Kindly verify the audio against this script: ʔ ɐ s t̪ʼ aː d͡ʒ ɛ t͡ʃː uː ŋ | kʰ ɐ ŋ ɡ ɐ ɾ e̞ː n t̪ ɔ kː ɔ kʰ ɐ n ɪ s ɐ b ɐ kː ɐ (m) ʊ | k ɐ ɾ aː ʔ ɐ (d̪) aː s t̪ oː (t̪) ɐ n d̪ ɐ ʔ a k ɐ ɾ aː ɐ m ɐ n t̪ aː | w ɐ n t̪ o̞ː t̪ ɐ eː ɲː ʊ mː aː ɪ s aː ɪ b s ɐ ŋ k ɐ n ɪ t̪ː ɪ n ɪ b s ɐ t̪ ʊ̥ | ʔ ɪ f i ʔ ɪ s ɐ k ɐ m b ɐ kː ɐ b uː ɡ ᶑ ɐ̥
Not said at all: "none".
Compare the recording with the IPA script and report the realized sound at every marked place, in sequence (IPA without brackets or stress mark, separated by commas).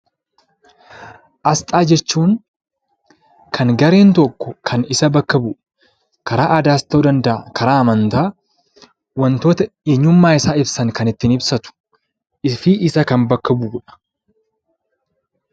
b, d̪, d̪